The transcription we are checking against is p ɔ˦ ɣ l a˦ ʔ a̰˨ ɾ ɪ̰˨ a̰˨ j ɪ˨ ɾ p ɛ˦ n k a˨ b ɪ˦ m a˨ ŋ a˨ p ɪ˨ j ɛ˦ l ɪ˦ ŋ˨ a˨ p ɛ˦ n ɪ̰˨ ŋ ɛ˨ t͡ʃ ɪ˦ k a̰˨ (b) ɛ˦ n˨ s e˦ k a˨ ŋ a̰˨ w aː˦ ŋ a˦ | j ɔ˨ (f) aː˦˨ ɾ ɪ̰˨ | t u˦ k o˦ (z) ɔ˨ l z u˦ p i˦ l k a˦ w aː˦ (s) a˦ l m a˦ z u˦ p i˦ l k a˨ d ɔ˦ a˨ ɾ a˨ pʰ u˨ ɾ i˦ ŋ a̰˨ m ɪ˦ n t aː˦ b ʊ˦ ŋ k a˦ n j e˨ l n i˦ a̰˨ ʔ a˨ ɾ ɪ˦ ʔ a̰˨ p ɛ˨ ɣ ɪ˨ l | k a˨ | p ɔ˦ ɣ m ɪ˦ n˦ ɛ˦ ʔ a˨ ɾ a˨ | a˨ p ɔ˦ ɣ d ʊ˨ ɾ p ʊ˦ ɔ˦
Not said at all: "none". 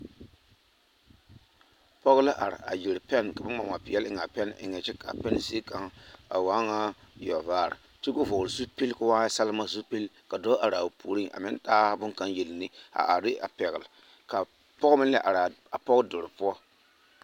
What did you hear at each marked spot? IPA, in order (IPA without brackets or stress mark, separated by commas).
p, v, v, s